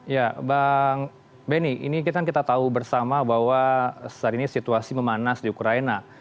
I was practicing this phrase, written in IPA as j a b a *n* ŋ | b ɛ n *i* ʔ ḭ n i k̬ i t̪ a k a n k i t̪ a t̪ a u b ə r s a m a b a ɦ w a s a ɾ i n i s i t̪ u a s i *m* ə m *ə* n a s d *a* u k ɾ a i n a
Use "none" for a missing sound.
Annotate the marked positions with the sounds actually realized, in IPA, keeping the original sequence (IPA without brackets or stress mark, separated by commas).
none, i, m, a, i